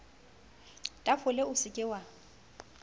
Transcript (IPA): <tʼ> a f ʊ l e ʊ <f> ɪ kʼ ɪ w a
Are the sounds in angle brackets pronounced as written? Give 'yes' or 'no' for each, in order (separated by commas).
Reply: yes, no